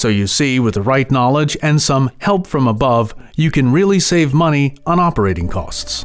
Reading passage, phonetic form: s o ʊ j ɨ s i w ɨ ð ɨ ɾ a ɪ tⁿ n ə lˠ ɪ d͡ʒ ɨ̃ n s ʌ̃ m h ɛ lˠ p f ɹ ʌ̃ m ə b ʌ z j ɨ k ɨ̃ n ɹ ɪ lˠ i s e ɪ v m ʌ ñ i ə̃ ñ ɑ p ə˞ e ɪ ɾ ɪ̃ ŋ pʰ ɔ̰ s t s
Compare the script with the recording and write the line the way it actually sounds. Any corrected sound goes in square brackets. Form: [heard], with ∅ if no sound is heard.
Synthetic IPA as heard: s o ʊ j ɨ s i w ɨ ð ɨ [ɹ] a ɪ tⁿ n [ɑ] lˠ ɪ d͡ʒ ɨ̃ n s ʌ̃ m h ɛ lˠ p f ɹ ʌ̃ m ə b ʌ [v] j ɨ k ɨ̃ n ɹ ɪ lˠ i s e ɪ v m ʌ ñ i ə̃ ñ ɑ p ə˞ e ɪ ɾ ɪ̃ ŋ [kʰ] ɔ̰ s t s